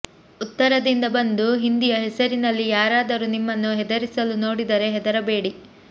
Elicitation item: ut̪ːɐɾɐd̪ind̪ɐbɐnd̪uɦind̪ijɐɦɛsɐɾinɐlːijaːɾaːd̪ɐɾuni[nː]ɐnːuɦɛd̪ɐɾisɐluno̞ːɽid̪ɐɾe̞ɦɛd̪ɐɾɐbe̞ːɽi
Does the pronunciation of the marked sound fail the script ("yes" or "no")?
yes